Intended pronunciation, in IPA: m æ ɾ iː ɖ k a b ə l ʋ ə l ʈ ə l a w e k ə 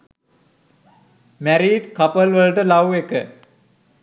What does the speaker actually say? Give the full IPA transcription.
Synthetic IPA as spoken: m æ ɾ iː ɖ k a p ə l ʋ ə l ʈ ə l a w e k ə